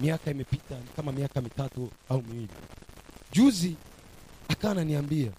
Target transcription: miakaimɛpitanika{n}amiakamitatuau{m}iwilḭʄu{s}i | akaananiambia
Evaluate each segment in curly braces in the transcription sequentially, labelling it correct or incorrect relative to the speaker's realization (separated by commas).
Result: incorrect, correct, incorrect